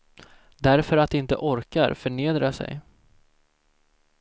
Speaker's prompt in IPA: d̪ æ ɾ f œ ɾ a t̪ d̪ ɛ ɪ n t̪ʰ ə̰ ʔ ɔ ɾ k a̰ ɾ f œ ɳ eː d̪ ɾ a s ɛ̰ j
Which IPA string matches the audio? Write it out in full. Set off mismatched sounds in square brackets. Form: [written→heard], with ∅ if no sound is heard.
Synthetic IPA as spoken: d̪ æ ɾ f œ ɾ a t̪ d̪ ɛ ɪ n [t̪ʰ→t̪] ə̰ ʔ ɔ ɾ k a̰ ɾ f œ ɳ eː d̪ ɾ a s ɛ̰ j